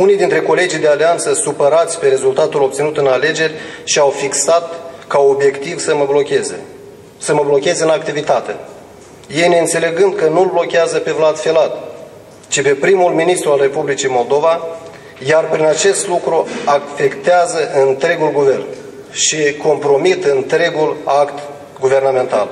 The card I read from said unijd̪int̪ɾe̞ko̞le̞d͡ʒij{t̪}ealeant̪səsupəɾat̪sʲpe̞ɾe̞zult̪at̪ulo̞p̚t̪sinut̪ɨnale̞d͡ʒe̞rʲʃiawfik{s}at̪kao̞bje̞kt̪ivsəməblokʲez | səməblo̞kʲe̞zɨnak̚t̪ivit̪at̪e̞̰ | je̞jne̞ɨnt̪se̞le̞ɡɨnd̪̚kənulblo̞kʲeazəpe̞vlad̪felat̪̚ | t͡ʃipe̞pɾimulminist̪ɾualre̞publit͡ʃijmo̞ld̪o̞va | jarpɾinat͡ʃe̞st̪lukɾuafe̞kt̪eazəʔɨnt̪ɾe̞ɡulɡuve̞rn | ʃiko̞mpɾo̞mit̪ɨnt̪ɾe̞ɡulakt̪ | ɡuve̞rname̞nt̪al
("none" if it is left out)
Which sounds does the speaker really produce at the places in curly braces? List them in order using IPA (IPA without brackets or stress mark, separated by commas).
d̪, s